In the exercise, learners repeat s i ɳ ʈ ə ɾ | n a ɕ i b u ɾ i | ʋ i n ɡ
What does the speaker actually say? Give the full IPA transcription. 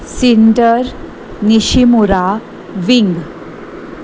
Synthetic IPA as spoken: s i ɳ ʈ ə ɾ | n i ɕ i m u ɾ a | ʋ i ŋ ɡ